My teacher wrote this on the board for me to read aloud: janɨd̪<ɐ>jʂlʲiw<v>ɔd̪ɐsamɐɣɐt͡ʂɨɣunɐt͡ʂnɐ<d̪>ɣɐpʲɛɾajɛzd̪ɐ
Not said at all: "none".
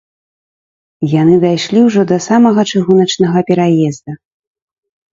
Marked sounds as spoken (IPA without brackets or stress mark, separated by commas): a, ʐ, none